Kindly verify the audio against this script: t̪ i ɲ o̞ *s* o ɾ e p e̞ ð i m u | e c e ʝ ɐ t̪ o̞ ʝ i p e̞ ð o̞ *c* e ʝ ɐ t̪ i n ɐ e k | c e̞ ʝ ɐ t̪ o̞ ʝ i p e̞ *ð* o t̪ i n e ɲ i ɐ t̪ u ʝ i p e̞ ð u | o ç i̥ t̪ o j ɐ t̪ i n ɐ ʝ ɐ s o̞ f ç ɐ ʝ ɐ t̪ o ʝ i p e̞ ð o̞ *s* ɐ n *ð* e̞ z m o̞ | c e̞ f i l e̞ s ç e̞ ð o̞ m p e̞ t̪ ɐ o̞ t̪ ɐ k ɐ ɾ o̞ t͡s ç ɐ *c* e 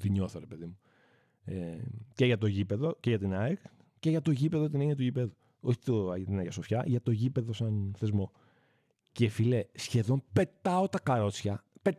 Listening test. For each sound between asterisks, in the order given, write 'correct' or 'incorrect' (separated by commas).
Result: incorrect, correct, correct, correct, incorrect, incorrect